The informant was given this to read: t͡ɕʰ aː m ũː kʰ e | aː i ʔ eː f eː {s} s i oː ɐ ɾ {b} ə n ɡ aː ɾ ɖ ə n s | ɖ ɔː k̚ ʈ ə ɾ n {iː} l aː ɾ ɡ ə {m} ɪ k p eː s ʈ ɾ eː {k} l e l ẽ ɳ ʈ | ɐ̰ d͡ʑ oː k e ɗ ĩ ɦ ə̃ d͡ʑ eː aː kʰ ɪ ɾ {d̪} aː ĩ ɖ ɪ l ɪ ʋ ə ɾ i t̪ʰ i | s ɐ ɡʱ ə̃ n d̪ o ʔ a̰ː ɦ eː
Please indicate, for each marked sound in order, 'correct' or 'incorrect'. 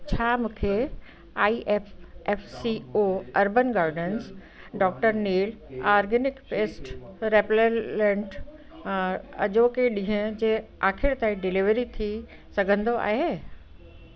incorrect: f, correct, correct, incorrect: n, incorrect: p, incorrect: t̪

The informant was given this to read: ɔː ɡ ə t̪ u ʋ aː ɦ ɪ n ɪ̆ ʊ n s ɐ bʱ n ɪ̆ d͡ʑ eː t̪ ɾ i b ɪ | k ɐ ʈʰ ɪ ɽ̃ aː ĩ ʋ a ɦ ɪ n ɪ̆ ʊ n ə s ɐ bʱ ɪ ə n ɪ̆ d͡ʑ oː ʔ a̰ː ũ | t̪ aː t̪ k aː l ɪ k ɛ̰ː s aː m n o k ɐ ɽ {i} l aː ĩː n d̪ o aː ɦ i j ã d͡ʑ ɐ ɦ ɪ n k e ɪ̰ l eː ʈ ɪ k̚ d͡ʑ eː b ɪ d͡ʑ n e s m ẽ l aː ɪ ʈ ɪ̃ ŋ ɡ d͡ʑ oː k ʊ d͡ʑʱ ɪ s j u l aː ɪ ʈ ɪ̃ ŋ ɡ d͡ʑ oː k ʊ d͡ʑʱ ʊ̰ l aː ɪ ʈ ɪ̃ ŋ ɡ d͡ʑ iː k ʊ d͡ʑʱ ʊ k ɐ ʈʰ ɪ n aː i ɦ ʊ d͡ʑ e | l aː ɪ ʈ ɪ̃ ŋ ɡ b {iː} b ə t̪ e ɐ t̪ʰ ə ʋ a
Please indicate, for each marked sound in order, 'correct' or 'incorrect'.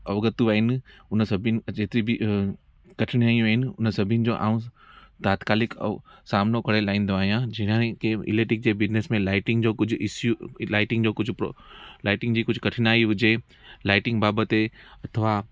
incorrect: e, incorrect: aː

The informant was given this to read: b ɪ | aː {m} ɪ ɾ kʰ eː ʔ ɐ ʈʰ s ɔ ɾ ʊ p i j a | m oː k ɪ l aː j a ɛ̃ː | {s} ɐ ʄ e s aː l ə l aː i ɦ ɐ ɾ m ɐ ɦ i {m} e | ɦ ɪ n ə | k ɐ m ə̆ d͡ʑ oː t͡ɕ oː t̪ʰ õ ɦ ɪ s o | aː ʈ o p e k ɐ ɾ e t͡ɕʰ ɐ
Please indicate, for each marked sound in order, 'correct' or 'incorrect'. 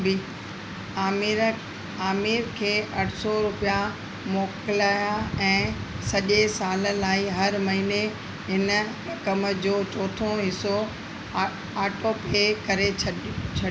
correct, correct, incorrect: n

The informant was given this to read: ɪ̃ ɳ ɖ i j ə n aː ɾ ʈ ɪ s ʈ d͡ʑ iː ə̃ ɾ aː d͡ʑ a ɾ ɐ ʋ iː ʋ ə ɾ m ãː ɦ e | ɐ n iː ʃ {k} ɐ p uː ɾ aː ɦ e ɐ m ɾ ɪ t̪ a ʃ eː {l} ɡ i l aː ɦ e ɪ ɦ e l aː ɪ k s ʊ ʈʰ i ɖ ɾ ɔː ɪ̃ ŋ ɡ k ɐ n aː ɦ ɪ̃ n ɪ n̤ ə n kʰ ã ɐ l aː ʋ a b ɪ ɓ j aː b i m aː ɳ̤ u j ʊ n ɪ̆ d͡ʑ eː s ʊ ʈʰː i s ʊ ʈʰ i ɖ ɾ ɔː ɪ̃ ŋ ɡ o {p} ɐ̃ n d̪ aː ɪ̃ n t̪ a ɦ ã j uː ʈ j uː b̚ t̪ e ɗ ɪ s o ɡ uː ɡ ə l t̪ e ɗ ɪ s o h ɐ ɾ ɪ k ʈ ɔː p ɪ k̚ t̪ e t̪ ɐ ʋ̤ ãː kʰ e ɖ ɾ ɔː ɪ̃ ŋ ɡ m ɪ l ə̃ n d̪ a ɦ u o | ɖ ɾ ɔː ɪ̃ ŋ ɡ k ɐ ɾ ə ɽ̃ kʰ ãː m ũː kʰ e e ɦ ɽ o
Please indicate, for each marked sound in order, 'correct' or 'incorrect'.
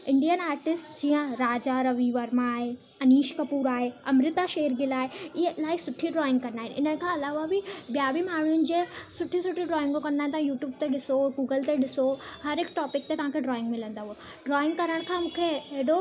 correct, incorrect: ɾ, incorrect: k

